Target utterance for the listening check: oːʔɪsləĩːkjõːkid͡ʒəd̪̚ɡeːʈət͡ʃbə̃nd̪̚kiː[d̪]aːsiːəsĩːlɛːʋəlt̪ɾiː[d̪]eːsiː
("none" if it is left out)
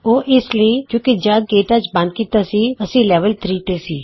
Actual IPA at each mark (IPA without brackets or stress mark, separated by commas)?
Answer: t̪, t̪